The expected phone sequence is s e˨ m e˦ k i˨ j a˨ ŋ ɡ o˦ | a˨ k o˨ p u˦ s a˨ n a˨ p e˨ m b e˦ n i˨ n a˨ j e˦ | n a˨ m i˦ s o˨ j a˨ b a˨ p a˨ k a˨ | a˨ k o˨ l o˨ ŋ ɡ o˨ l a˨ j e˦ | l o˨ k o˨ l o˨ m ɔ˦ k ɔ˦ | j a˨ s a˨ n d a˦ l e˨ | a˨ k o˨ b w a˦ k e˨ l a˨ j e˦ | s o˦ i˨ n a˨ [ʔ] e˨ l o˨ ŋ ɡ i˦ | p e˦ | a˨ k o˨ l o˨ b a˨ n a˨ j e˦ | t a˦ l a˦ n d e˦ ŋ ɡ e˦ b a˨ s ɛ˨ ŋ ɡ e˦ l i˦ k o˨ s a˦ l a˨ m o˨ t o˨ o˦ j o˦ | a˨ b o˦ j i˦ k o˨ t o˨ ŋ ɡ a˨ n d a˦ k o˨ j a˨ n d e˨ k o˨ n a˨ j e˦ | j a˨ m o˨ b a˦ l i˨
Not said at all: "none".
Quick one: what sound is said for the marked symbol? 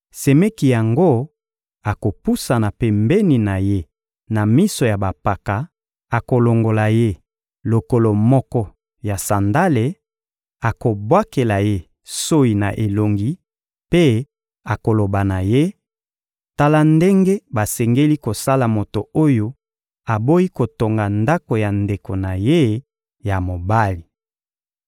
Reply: ʔ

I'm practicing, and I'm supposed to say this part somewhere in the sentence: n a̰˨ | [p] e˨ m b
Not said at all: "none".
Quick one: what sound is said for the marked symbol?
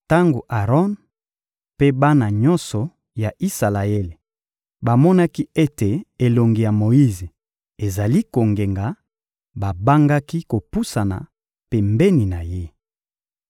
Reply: p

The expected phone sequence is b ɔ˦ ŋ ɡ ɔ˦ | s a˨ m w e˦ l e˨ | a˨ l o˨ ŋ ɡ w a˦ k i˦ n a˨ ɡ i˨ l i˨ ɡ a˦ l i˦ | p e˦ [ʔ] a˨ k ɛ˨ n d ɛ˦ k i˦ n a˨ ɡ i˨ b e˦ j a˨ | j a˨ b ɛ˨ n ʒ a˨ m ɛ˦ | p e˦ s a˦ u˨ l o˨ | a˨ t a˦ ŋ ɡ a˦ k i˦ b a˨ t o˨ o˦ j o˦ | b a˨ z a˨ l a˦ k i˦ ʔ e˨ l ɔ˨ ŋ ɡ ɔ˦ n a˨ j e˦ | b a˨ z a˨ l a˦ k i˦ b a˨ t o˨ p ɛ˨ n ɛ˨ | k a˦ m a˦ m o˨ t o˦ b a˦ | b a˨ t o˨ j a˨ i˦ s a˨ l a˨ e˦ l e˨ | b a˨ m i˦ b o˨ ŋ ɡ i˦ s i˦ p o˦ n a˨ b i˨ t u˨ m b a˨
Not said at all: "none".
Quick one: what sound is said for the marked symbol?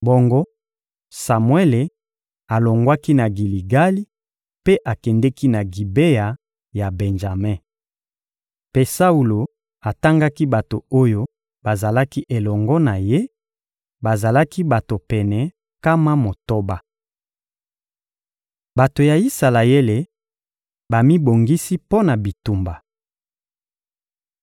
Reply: ʔ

